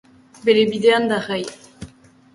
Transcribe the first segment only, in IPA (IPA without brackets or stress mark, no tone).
b